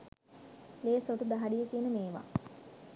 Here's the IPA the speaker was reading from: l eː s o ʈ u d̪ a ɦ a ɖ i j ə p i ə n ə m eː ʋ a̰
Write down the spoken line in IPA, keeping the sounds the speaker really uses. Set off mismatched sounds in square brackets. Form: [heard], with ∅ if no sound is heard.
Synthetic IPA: l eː s o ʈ u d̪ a ɦ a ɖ i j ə [k] i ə n ə m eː ʋ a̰